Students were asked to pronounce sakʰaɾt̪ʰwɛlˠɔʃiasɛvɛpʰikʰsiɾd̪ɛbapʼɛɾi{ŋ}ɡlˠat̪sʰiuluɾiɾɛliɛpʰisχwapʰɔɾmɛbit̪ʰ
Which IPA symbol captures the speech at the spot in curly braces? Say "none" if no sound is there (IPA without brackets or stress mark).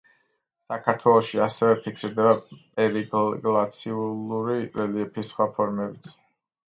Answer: ɡ